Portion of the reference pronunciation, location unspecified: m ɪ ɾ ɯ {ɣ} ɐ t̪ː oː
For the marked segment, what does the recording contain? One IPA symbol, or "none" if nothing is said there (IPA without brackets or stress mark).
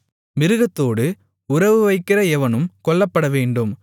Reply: ɣ